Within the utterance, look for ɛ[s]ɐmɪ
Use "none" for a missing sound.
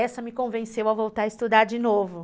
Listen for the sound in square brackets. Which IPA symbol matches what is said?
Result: s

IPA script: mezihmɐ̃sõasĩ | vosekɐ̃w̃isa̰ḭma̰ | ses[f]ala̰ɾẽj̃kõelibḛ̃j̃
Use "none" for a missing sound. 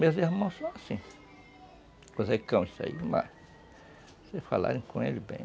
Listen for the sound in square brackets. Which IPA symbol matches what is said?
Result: f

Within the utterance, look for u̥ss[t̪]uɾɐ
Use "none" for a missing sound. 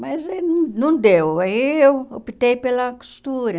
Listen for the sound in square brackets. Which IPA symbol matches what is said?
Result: t̪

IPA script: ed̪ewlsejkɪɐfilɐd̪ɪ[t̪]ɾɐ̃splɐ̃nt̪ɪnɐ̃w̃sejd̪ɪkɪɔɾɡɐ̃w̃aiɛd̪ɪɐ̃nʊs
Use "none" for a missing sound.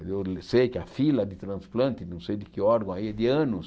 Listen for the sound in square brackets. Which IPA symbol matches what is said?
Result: t̪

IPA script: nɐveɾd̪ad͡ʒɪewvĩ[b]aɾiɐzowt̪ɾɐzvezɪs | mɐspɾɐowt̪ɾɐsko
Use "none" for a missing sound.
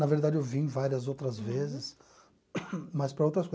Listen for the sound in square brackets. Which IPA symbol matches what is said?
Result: v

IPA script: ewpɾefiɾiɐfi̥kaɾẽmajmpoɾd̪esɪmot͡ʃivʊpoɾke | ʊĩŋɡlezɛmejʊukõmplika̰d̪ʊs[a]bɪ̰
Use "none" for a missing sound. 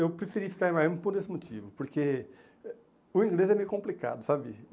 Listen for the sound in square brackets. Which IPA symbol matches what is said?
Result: a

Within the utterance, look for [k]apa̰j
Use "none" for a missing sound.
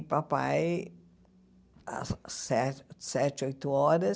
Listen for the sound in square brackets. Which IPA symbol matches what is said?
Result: p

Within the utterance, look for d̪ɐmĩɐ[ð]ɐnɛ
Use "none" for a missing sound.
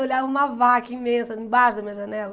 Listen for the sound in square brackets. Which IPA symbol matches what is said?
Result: ʒ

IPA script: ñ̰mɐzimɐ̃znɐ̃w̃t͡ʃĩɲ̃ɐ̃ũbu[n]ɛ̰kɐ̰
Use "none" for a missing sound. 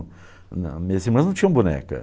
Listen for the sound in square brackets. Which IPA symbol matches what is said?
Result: n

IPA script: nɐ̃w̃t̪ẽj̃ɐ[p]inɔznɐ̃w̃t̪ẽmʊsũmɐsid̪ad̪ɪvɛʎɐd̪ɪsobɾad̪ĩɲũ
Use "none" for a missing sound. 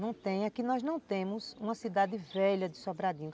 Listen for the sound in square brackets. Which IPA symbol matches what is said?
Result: k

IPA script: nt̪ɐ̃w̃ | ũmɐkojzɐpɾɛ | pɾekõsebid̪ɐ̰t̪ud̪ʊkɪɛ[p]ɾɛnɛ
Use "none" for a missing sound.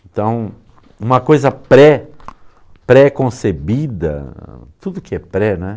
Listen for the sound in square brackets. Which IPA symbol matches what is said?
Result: p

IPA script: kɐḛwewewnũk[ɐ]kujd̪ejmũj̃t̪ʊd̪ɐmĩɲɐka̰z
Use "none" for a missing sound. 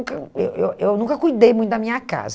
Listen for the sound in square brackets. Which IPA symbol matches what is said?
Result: ɐ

